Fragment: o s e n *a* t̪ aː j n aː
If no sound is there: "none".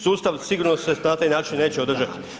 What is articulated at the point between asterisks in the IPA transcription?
a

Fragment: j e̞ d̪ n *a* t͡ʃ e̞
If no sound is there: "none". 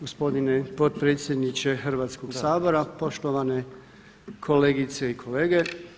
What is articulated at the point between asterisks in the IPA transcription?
i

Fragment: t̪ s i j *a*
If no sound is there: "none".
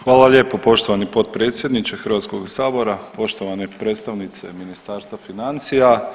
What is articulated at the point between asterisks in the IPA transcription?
a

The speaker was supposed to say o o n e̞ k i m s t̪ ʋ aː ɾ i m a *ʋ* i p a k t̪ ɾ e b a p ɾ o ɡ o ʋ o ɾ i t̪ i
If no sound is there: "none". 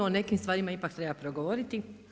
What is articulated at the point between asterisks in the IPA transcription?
none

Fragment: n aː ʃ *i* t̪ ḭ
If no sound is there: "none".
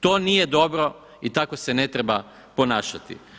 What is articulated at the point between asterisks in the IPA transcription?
a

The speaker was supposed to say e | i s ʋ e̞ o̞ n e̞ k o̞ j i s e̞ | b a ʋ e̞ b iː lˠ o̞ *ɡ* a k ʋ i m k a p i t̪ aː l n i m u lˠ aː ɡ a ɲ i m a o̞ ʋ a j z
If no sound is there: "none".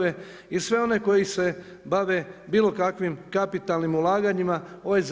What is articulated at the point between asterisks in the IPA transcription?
k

